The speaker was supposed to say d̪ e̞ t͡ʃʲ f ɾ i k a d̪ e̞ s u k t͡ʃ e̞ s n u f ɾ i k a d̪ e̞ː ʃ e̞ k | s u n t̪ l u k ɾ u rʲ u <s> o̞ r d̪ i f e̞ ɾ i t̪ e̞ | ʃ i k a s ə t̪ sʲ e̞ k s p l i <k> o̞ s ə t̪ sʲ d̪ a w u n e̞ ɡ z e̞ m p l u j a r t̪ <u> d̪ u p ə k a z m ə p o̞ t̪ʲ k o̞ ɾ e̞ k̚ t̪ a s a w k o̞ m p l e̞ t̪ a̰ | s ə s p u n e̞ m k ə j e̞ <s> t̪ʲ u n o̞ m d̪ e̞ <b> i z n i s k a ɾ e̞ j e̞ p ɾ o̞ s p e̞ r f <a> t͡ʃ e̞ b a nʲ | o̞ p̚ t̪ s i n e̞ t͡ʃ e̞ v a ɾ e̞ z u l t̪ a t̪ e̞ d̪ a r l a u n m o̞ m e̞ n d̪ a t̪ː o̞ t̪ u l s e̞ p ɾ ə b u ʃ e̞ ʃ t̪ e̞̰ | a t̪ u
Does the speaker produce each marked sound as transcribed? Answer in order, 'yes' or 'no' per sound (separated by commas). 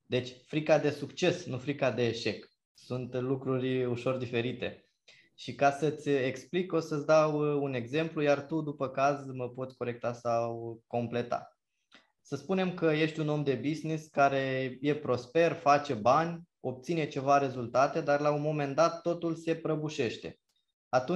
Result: no, yes, yes, no, yes, yes